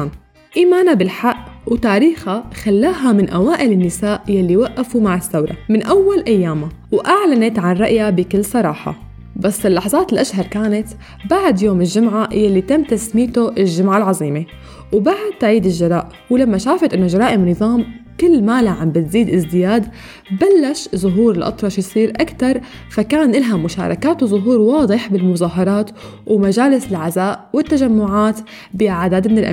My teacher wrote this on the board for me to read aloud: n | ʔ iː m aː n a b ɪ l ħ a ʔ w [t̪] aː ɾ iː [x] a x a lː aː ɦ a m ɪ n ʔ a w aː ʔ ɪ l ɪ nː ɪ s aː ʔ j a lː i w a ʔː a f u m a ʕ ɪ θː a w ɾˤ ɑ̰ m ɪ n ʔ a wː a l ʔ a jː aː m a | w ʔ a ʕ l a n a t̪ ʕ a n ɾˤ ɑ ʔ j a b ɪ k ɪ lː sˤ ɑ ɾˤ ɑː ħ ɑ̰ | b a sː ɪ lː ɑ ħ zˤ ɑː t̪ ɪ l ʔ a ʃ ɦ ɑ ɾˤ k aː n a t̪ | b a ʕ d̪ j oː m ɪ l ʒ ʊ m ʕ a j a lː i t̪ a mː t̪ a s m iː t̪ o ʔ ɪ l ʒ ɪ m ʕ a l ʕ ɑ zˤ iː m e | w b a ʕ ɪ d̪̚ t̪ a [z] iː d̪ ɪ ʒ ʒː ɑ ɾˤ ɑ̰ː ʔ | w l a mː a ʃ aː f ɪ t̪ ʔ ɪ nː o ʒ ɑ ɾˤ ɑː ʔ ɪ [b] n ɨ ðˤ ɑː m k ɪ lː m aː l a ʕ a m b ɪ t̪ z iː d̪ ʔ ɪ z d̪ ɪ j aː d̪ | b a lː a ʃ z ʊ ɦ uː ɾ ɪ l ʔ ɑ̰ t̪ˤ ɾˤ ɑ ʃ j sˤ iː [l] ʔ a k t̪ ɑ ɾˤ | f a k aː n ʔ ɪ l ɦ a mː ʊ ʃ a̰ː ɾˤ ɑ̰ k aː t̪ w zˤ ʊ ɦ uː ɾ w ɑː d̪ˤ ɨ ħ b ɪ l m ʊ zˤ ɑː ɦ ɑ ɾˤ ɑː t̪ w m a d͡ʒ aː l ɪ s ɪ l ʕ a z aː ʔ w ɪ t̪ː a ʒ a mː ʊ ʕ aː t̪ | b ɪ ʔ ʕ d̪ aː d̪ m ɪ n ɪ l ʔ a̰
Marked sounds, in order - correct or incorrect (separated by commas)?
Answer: correct, correct, incorrect, incorrect, incorrect